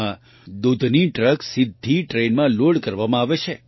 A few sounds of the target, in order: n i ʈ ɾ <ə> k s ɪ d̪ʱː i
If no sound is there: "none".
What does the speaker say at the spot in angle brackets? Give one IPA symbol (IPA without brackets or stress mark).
ə